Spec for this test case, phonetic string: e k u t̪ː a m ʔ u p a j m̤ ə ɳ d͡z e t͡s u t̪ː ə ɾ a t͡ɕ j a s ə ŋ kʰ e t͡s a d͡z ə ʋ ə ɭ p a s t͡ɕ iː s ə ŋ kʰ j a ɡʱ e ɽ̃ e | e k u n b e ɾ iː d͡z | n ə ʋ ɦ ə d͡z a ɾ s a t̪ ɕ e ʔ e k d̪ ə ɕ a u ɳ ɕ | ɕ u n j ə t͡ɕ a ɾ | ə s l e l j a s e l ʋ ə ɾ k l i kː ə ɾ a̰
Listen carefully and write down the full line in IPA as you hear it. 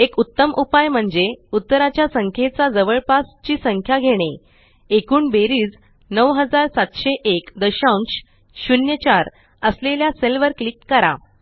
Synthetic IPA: e k u t̪ː ə m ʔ u p a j m̤ ə ɳ d͡z e u t̪ː ə ɾ a t͡ɕ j a s ə ŋ kʰ e t͡s a d͡z ə ʋ ə ɭ p a s t͡ɕ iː s ə ŋ kʰ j a ɡʱ e ɽ̃ e | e k uː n b e ɾ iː d͡z | n ə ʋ ɦ ə d͡z a ɾ s a t̪ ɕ e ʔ e k d̪ ə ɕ a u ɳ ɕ | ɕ u n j ə t͡ɕ a ɾ | ə s l e l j a s e l ʋ ə ɾ k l i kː ə ɾ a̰